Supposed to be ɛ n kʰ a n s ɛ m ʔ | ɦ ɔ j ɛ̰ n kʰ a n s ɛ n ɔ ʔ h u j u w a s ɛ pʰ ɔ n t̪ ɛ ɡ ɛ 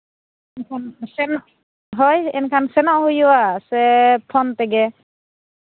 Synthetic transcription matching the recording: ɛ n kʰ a n s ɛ n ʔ | ɦ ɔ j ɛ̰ n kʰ a n s ɛ n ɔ ʔ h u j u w a s ɛ pʰ ɔ n t̪ ɛ ɡ ɛ

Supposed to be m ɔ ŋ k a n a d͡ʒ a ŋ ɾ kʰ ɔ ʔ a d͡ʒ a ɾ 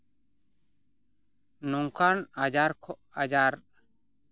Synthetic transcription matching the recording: n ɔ ŋ k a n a d͡ʒ a ɾ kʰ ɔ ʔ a d͡ʒ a ɾ

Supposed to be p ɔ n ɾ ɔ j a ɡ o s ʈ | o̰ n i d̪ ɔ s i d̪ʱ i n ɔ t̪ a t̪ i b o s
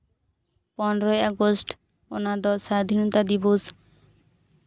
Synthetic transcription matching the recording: p ɔ n ɾ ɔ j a ɡ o s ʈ | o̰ n a d̪ ɔ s a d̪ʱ i n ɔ t̪ a d̪ i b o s

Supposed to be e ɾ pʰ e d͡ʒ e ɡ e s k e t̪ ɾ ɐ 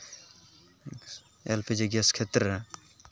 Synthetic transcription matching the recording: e l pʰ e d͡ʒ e ɡ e s kʰ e t̪ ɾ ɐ

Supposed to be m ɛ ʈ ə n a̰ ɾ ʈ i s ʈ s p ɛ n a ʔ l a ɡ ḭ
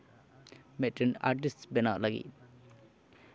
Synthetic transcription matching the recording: m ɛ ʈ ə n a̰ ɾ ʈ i s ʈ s b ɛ n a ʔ l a ɡ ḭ

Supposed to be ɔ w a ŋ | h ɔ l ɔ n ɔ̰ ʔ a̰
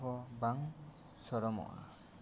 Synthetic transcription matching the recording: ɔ b a ŋ | s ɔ ɾ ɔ m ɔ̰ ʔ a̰

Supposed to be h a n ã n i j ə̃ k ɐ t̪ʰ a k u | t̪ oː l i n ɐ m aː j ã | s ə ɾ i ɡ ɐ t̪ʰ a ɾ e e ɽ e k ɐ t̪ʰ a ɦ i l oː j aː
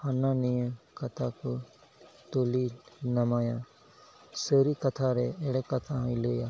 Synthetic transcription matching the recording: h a n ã n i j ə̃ k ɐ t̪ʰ a k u | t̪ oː l i n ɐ m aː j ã | s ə ɾ i k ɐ t̪ʰ a ɾ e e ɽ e k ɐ t̪ʰ a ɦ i l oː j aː

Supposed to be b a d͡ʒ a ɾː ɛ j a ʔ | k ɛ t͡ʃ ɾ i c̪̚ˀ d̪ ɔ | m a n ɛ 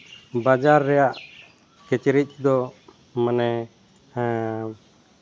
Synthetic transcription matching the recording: b a d͡ʒ a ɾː ɛ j a ʔ | k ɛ t͡ʃ ɾ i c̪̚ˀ d̪ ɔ | m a n ɛ

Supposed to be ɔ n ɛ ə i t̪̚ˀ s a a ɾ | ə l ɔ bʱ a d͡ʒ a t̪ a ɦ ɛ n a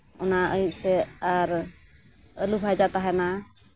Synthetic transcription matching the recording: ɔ n a ə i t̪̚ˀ s ɛ a ɾ | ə l u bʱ a d͡ʒ a t̪ a ɦ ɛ n a

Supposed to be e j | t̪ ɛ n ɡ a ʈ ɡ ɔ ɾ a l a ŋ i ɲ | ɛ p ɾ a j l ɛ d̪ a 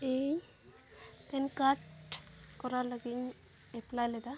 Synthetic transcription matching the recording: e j | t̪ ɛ n k a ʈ k ɔ ɾ a l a ɡ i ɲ | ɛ p l a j l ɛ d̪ a

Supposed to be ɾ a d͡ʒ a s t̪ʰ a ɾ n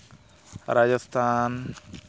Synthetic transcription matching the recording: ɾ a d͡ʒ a s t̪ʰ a n

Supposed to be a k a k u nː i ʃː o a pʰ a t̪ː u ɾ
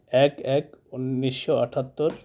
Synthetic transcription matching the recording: ɛ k ɛ k u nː i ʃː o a ʈʰ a t̪ː o ɾ

